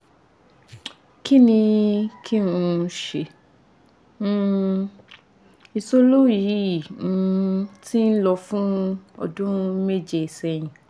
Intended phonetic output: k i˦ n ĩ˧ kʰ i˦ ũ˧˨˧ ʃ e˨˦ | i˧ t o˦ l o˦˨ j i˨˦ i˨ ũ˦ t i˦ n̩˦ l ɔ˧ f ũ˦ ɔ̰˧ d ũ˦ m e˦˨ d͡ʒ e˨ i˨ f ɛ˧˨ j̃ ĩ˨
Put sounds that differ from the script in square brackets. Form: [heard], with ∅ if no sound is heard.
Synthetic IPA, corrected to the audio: k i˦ n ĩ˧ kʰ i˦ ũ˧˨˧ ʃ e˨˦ | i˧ [s] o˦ l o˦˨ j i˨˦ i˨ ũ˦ t i˦ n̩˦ l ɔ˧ f ũ˦ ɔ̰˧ d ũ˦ m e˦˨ d͡ʒ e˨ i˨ [s] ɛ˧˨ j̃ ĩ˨